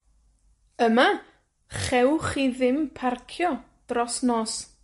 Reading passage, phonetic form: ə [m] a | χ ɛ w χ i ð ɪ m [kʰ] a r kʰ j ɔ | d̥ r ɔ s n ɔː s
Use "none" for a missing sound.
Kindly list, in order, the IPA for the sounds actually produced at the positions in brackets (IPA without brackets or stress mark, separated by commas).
m, pʰ